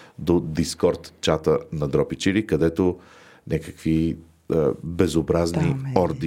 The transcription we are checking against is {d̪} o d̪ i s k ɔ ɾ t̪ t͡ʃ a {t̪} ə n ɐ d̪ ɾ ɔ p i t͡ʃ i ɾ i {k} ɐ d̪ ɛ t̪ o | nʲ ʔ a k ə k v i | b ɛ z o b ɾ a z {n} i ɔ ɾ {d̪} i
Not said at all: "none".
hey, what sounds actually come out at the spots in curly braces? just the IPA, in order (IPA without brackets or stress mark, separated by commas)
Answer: d̪, t̪, k, n, d̪